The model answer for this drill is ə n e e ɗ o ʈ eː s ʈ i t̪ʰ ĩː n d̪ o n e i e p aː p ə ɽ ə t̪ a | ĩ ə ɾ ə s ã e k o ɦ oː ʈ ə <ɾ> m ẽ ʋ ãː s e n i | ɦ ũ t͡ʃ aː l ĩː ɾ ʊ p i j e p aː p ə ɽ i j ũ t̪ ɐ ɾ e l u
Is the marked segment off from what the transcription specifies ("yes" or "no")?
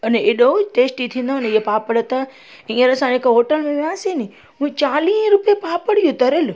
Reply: yes